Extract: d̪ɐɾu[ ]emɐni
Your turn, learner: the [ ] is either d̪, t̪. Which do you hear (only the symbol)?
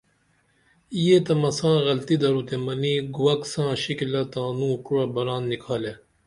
t̪